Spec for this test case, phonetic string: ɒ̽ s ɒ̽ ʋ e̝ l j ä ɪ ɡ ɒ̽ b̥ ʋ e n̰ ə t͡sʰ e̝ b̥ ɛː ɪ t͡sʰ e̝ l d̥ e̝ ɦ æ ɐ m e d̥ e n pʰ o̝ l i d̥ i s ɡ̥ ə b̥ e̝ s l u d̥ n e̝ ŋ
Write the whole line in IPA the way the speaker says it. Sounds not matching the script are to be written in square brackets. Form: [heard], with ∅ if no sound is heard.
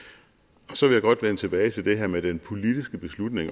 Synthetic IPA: ɒ̽ s ɒ̽ ʋ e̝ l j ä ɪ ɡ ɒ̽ [d̥] ʋ e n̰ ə t͡sʰ e̝ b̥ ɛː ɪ t͡sʰ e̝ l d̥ e̝ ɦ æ ɐ m e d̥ e n pʰ o̝ l i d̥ i s ɡ̥ ə b̥ e̝ s l u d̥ n e̝ ŋ

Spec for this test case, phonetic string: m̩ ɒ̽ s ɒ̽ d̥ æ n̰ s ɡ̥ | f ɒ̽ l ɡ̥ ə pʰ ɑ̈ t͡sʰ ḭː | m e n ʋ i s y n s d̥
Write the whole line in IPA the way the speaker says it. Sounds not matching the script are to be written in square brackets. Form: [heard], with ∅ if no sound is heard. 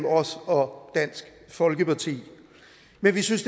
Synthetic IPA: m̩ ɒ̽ s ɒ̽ d̥ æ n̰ s ɡ̥ | f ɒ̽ l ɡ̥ ə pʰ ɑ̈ t͡sʰ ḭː | m e n ʋ i s y n s d̥

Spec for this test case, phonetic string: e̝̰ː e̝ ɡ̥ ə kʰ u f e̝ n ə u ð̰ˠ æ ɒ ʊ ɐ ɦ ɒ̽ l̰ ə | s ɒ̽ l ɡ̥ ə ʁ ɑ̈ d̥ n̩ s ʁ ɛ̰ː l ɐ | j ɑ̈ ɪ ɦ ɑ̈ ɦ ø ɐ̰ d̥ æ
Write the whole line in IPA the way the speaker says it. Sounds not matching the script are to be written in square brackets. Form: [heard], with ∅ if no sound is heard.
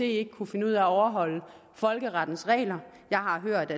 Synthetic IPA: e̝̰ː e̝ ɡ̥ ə kʰ u f e̝ n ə u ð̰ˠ æ ɒ ʊ ɐ ɦ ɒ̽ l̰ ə | [f] ɒ̽ l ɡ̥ ə ʁ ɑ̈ d̥ n̩ s ʁ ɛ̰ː l ɐ | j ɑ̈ ɪ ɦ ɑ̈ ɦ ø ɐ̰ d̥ æ

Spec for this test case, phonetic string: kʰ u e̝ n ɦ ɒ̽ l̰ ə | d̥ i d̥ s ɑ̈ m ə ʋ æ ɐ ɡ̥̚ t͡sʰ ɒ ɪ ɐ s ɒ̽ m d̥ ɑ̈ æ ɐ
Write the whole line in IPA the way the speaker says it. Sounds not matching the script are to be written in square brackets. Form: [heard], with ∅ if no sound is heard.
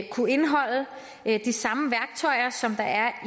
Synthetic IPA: kʰ u e̝ n ɦ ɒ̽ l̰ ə | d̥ i [∅] s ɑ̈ m ə ʋ æ ɐ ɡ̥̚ t͡sʰ ɒ ɪ ɐ s ɒ̽ m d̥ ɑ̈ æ ɐ

